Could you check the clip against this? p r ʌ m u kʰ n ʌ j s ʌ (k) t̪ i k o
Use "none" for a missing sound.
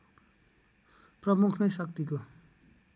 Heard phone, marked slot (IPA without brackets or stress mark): k